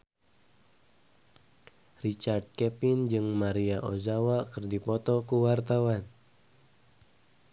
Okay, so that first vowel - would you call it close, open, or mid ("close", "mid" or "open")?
close